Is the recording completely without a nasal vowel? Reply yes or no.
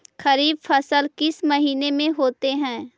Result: no